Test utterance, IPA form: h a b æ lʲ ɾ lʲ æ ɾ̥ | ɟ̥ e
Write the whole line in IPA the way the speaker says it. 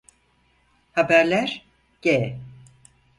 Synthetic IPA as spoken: h a b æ ɾ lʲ æ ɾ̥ | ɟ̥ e